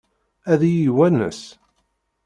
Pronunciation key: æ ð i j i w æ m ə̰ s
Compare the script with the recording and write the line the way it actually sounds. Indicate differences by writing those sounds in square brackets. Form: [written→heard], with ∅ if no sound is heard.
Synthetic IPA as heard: æ ð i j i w æ [m→n] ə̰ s